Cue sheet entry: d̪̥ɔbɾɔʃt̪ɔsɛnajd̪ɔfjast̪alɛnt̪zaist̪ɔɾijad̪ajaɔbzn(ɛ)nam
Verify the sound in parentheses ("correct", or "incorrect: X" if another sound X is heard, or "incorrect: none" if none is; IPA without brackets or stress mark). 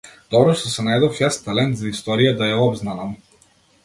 incorrect: a